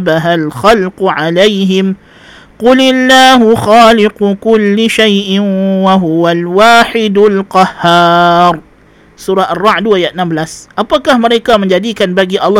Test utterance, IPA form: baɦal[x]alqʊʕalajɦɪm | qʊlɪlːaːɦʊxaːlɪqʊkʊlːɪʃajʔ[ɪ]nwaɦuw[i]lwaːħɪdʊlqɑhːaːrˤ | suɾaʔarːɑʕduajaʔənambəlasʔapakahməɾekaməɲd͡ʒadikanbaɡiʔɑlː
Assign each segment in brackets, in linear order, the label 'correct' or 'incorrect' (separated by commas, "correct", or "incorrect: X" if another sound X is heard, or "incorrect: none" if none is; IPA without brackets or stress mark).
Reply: correct, correct, incorrect: a